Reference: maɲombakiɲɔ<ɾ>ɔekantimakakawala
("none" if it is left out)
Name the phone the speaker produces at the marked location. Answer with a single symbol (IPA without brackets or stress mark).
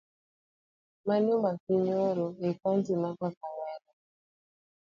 ɾ